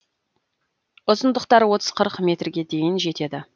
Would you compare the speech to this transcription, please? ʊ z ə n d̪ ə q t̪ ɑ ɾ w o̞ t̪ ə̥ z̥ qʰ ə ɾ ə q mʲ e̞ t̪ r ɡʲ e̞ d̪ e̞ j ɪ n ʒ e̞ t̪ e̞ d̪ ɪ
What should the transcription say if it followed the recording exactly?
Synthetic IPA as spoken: ʊ z ə n d̪ ə q t̪ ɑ ɾ w o̞ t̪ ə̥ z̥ qʰ ə ɾ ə q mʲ e̞ t̪ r ɡʲ e̞ d̪ e̞ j ɪ n ʒ e̞ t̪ e̞ d̪ ɪ